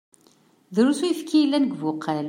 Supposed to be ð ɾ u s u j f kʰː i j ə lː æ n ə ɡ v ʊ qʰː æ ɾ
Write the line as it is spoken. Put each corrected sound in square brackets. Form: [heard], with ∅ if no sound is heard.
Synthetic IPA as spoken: ð ɾ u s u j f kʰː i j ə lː æ n ə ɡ v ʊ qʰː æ [l]